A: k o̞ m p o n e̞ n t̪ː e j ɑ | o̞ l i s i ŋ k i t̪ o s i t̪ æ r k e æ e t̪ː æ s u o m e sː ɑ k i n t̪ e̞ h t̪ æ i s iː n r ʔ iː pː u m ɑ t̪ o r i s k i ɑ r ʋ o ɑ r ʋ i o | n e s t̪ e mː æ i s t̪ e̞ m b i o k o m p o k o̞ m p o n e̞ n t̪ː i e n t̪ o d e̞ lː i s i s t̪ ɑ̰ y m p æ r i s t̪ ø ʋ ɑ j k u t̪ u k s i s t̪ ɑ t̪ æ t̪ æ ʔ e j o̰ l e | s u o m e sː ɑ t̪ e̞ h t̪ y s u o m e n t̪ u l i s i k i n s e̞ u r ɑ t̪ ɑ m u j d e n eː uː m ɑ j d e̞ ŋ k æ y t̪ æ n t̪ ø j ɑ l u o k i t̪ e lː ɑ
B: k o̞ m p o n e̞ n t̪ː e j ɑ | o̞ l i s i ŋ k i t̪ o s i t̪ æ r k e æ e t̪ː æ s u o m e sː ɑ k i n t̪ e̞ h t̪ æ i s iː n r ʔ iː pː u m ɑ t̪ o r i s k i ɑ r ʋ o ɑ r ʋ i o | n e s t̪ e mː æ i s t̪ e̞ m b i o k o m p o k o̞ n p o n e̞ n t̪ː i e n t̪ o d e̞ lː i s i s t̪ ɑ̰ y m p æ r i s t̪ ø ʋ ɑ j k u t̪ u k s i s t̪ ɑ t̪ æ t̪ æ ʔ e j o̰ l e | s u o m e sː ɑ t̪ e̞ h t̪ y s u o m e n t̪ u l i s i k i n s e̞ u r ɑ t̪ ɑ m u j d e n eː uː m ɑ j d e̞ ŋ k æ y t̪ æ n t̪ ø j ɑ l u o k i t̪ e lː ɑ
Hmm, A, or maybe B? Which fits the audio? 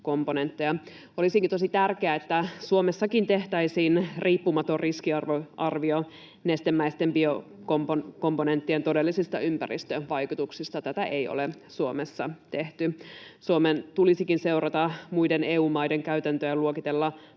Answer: A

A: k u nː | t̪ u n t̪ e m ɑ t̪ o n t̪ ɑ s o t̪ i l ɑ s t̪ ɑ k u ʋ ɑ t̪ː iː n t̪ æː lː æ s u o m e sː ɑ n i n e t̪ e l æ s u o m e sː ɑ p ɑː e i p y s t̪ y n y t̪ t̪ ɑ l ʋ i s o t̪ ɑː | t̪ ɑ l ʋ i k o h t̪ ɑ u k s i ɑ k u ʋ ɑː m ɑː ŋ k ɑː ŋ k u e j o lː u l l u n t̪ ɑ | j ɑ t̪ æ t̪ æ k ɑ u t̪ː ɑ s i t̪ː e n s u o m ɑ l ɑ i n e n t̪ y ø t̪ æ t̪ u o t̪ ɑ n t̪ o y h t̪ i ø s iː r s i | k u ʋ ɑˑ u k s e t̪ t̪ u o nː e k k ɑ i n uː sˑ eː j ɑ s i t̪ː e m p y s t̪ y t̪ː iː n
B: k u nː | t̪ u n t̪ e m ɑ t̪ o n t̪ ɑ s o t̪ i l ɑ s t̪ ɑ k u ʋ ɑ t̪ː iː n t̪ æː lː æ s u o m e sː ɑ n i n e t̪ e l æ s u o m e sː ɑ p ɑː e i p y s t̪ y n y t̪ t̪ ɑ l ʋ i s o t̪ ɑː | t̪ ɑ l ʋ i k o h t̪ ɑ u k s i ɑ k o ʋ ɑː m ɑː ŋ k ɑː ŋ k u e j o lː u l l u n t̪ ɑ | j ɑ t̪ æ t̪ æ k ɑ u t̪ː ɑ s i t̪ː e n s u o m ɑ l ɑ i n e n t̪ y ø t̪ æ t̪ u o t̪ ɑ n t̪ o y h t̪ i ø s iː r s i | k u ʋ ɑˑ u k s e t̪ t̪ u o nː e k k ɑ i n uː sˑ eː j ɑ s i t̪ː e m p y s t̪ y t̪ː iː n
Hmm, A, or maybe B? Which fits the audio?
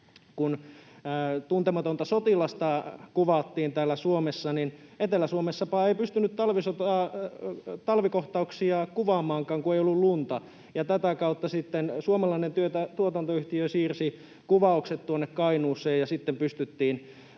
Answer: A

